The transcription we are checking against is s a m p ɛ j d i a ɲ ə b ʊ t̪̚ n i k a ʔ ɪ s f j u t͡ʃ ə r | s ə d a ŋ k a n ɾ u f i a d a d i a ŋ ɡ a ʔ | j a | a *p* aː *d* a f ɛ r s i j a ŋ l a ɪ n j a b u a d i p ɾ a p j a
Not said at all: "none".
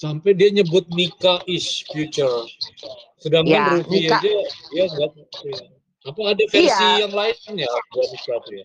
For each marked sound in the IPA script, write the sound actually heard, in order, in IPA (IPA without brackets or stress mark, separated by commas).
p, d